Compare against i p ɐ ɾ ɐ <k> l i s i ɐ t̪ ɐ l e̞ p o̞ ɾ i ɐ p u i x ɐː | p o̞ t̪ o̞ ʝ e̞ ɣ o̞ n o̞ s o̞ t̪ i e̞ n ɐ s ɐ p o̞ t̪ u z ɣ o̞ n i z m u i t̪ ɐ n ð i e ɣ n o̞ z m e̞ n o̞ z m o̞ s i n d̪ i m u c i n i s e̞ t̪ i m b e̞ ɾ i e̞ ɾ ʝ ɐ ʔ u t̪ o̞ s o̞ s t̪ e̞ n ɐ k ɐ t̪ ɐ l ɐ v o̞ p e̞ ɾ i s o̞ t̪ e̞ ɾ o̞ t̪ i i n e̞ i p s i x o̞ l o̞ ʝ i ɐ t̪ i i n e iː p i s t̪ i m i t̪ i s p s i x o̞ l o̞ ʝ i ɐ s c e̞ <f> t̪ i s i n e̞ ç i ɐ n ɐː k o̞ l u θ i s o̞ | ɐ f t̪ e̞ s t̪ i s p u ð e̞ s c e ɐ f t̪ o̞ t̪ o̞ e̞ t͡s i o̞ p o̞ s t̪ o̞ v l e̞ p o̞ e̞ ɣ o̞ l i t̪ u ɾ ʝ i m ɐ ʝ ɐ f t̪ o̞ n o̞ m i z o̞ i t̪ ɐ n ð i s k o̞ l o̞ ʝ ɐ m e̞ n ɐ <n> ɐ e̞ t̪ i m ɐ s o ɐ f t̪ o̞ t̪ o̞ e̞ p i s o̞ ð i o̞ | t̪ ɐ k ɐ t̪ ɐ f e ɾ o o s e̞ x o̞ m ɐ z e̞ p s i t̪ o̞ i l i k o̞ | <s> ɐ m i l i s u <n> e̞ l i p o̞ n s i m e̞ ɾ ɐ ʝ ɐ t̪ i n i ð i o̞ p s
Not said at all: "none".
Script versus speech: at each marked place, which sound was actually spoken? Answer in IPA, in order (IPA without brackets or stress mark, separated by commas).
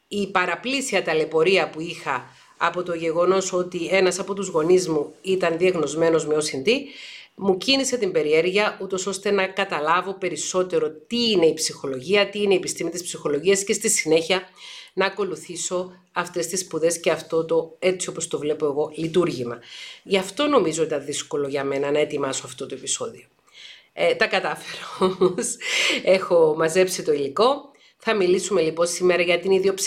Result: p, s, n, θ, m